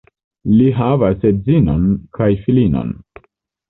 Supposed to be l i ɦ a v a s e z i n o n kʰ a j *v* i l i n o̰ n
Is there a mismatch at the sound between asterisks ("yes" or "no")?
yes